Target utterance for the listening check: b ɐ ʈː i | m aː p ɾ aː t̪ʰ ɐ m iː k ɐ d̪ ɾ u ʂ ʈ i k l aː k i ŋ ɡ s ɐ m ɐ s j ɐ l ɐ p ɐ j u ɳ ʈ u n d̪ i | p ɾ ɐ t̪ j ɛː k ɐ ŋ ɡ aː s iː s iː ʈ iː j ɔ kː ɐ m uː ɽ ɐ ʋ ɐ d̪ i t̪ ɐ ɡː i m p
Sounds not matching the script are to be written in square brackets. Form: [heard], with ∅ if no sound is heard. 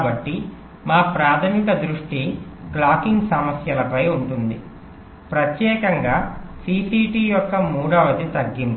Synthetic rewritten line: b ɐ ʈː i | m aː p ɾ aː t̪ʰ ɐ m [i] k ɐ d̪ ɾ u ʂ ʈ i k l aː k i ŋ ɡ s ɐ m ɐ s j ɐ l ɐ p ɐ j u ɳ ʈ u n d̪ i | p ɾ ɐ t̪ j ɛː k ɐ ŋ ɡ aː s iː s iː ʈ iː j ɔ kː ɐ m uː ɽ ɐ ʋ ɐ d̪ i t̪ ɐ ɡː i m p